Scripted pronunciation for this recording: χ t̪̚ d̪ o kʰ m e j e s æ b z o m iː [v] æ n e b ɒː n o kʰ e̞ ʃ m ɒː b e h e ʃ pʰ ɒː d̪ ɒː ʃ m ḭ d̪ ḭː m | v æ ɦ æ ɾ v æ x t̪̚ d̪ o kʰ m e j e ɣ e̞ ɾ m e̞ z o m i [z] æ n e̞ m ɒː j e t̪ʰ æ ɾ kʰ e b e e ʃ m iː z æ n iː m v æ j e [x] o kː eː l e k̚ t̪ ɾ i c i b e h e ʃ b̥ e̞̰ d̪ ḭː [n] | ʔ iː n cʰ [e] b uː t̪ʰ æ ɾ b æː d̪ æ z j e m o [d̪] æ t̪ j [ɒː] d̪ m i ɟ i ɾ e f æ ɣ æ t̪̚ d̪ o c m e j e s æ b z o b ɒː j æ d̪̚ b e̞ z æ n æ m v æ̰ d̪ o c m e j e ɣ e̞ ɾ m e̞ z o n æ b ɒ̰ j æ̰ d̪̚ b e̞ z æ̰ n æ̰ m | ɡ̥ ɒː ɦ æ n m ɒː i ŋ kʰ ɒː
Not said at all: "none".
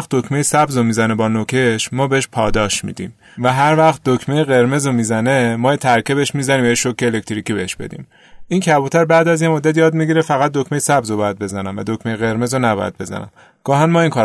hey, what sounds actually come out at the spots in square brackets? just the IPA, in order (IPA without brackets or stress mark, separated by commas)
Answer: z, z, ʃ, m, æ, d̪ː, ɒː